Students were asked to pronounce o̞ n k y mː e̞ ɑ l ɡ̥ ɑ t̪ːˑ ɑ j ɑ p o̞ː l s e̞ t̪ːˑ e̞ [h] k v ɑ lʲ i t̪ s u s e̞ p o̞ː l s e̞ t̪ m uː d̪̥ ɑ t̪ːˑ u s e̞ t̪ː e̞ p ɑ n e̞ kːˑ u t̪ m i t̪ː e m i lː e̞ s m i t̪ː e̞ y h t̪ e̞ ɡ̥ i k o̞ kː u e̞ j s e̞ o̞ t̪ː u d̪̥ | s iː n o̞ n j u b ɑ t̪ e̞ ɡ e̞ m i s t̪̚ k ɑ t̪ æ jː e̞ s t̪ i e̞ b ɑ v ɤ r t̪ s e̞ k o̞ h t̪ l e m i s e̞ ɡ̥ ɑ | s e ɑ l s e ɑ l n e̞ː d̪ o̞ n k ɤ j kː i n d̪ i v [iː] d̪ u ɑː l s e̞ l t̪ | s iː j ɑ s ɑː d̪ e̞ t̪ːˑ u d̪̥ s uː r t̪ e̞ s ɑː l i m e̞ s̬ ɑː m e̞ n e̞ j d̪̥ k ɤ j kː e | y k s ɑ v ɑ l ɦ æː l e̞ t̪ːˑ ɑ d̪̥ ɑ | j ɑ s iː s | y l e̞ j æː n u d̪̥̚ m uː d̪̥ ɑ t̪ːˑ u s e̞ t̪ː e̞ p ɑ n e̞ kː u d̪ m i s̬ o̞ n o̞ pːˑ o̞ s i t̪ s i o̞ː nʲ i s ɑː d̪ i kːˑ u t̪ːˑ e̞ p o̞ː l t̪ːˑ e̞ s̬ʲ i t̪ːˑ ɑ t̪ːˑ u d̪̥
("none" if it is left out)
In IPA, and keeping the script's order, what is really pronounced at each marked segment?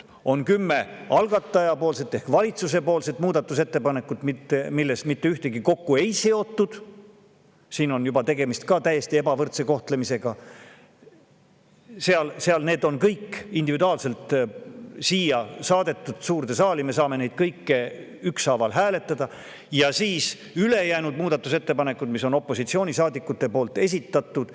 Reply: h, i

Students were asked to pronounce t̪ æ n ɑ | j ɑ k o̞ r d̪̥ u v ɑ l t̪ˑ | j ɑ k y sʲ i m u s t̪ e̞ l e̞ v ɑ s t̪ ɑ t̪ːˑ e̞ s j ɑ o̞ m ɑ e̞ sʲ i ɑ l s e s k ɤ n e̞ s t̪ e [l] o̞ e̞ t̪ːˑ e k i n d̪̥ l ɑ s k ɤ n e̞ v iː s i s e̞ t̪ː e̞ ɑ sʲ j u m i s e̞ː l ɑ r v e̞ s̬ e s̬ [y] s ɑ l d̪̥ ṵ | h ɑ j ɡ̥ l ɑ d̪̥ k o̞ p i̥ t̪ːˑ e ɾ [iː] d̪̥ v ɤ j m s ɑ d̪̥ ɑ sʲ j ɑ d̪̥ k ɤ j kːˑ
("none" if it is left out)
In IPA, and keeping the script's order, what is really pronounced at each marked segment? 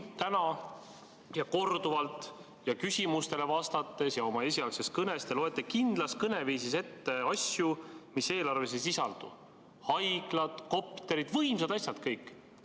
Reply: l, i, i

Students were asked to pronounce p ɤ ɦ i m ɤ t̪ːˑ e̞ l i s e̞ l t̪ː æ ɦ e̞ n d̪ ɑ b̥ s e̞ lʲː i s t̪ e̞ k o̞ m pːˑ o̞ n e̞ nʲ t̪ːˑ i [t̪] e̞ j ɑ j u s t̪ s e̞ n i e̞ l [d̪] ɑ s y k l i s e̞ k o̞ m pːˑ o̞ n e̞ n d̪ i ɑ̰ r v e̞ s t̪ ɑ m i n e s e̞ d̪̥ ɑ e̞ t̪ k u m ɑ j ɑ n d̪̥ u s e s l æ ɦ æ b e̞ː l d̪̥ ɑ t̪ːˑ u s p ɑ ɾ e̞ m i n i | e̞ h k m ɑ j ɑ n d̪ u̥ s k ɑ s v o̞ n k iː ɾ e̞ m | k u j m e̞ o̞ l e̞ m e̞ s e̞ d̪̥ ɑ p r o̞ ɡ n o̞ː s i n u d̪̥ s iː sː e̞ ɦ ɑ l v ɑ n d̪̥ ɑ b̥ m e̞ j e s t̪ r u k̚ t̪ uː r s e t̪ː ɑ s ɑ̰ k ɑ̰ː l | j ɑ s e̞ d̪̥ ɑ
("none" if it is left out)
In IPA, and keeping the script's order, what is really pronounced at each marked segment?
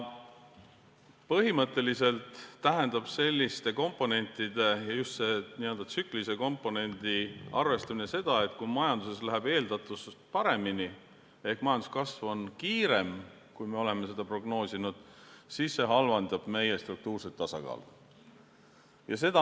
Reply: d̪, d̪

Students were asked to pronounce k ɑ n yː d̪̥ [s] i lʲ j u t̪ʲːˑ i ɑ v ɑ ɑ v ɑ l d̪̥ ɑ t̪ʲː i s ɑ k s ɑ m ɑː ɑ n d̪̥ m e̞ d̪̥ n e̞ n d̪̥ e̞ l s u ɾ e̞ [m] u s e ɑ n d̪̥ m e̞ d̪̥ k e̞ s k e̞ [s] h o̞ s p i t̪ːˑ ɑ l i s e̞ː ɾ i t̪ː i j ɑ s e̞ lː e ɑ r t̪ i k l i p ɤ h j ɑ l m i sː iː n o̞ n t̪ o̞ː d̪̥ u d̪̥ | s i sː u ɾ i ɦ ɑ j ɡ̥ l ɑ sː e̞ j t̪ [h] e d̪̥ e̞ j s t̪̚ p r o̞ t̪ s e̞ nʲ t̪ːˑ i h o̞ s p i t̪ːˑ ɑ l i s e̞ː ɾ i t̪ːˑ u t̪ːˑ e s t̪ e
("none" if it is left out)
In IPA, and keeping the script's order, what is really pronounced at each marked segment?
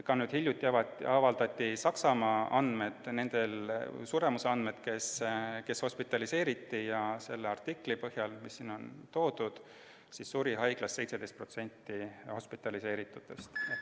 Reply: h, m, s, s

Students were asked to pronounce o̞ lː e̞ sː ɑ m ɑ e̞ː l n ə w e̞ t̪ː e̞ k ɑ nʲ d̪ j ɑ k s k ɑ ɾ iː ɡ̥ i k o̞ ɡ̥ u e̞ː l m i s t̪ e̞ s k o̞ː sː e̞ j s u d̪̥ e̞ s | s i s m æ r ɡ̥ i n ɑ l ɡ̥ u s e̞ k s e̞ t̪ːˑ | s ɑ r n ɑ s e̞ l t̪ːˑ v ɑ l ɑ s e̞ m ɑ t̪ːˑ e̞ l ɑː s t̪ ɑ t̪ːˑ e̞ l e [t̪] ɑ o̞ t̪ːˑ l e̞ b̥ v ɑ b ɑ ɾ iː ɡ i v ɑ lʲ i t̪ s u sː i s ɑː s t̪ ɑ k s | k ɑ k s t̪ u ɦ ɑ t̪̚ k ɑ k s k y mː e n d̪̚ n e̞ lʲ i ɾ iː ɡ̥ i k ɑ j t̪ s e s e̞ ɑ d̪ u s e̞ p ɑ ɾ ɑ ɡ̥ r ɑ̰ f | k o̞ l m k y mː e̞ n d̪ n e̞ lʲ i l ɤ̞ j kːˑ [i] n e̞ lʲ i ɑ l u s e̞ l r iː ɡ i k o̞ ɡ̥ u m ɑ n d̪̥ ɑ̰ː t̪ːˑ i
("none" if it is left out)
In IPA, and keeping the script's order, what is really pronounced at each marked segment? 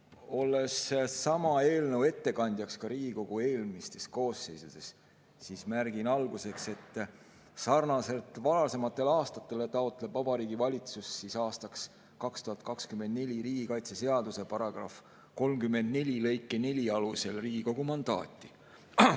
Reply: t̪, e

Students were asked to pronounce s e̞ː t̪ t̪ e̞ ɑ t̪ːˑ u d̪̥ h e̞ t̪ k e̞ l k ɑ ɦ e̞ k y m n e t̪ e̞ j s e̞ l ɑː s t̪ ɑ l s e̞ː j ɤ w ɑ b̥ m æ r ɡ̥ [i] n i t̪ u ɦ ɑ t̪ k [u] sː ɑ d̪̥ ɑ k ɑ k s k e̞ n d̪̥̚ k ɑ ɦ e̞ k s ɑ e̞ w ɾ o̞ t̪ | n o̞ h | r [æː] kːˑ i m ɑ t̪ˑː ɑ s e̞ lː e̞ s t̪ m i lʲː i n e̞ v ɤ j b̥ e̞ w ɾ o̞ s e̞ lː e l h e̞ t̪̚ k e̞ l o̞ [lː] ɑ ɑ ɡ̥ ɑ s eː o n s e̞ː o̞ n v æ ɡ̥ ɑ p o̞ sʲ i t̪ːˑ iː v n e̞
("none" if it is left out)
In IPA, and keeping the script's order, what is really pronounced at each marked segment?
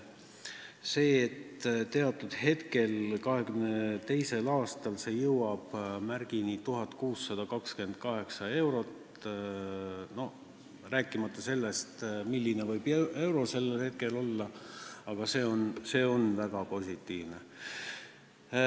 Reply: i, uː, æː, lː

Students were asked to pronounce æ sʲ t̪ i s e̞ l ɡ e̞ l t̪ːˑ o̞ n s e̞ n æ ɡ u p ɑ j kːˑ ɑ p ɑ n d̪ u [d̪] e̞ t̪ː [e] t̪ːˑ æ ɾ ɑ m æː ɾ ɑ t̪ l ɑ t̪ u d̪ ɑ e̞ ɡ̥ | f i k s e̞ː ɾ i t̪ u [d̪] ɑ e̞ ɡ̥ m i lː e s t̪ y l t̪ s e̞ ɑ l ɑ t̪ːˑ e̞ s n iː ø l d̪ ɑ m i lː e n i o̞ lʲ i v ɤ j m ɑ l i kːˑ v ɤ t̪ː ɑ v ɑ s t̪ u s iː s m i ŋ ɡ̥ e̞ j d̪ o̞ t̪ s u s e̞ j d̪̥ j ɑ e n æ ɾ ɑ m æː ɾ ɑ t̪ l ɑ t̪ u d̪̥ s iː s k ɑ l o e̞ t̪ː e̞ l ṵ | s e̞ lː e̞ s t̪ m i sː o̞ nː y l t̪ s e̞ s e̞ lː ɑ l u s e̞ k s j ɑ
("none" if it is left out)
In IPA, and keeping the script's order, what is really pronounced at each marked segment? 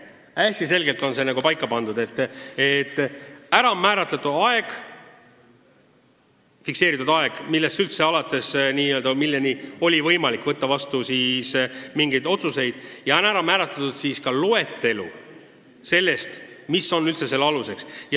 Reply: d̪, e, d̪

